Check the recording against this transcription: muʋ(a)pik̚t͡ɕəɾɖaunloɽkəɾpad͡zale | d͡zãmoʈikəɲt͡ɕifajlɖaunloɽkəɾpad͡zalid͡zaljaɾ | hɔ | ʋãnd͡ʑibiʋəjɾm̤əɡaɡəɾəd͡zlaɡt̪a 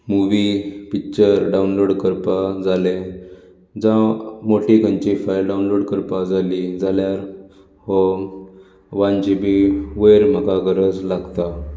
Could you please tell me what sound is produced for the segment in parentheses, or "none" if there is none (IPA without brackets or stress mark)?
i